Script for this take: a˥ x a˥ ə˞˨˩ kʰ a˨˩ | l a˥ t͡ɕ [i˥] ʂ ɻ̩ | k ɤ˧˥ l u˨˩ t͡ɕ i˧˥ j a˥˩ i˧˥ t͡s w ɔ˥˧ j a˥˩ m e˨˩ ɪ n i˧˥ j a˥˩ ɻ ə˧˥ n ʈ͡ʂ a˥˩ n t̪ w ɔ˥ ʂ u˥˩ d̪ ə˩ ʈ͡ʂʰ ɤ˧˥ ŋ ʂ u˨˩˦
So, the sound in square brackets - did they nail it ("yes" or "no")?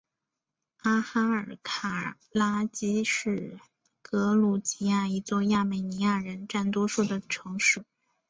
yes